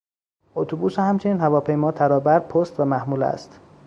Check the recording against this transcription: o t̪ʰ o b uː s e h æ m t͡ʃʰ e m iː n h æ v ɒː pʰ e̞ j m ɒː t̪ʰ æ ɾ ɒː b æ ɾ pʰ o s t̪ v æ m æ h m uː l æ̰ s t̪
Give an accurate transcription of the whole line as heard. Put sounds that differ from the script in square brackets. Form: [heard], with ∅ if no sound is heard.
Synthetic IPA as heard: o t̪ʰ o b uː s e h æ m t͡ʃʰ e [n] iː n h æ v ɒː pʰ e̞ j m ɒː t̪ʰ æ ɾ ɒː b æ ɾ pʰ o s t̪ v æ m æ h m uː l æ̰ s t̪